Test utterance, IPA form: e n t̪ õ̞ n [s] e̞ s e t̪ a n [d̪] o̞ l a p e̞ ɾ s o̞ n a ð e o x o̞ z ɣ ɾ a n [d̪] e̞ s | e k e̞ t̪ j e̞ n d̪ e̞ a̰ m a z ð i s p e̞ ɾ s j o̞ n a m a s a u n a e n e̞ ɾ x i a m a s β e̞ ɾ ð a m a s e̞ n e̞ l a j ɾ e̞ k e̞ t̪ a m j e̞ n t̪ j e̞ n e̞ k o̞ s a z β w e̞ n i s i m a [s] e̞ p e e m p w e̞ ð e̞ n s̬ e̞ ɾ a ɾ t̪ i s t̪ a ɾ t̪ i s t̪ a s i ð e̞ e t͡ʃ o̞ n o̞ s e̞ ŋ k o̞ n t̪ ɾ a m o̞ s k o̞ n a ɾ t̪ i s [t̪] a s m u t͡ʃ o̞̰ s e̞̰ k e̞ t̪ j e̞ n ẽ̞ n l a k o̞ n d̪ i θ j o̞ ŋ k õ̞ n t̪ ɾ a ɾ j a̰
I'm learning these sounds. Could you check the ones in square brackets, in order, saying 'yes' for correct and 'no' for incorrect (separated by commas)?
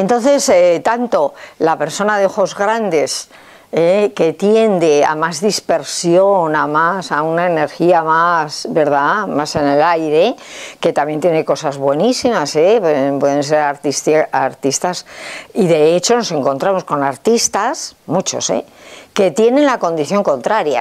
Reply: no, no, yes, yes, yes